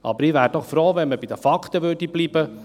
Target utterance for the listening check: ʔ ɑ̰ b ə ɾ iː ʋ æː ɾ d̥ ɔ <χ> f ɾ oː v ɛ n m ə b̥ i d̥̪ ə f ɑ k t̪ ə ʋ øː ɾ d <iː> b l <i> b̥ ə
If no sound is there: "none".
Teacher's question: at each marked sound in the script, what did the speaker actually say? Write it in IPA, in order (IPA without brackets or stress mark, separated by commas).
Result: χ, i, iː